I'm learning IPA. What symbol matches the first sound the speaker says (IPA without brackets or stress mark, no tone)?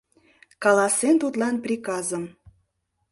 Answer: k